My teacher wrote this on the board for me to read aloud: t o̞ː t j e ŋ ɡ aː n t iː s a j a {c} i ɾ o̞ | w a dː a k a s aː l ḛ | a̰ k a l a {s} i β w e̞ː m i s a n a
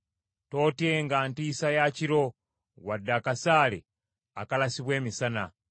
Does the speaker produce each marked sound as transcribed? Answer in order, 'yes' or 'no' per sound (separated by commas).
yes, yes